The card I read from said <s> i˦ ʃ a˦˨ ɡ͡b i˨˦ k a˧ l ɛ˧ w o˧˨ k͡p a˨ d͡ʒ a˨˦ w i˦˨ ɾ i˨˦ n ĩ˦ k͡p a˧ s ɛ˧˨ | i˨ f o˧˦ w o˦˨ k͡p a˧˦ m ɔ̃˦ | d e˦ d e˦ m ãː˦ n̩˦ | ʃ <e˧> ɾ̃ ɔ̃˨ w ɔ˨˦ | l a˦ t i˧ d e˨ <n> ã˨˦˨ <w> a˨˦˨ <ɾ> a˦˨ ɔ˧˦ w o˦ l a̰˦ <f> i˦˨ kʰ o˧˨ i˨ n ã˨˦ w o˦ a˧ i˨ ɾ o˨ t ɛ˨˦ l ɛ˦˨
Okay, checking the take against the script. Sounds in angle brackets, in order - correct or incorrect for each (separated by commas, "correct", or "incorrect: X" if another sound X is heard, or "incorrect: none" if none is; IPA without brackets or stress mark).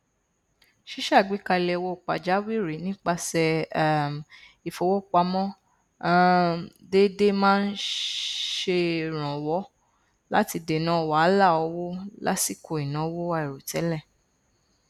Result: incorrect: ʃ, correct, correct, correct, incorrect: l, incorrect: s